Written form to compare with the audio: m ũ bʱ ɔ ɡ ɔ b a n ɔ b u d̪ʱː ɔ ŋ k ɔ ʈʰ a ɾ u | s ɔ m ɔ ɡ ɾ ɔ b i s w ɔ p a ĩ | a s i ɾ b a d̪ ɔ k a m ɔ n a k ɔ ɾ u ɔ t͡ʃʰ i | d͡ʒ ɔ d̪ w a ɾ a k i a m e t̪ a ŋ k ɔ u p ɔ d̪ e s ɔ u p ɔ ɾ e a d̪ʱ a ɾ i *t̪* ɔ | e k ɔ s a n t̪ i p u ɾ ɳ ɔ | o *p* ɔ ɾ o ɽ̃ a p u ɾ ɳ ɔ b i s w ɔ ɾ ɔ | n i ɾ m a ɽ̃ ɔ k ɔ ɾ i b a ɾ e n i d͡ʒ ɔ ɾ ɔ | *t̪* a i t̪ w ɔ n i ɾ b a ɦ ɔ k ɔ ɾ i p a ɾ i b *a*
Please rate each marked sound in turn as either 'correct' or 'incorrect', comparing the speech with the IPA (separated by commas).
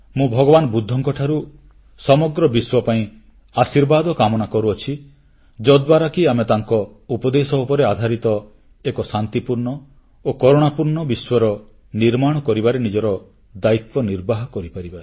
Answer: correct, incorrect, incorrect, correct